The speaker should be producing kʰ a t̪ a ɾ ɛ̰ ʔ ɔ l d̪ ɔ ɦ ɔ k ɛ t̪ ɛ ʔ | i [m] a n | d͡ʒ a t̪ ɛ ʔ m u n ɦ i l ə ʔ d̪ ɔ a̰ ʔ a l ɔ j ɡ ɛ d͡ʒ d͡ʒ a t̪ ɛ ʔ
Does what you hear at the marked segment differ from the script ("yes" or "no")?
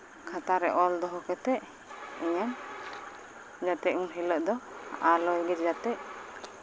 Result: yes